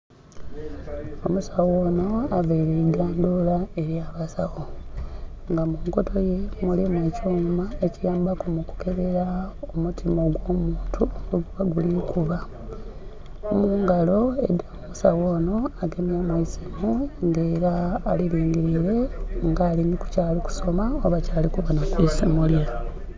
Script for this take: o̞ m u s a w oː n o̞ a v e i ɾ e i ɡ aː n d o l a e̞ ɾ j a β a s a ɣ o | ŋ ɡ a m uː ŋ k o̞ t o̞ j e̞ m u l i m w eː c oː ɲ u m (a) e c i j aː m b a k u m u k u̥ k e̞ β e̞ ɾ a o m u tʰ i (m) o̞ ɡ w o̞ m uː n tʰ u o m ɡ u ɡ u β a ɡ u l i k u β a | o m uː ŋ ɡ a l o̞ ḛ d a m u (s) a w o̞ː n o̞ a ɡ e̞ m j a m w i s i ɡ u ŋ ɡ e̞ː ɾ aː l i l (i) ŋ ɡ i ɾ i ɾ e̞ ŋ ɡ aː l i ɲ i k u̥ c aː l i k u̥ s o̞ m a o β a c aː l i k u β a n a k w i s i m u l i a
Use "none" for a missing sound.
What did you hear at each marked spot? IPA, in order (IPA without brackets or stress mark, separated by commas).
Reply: a, m, s, iː